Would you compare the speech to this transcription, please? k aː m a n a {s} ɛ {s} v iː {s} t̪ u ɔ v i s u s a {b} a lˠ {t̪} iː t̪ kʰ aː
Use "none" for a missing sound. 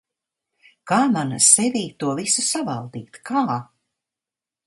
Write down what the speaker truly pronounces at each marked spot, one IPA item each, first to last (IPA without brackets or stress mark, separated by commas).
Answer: s, none, none, v, d̪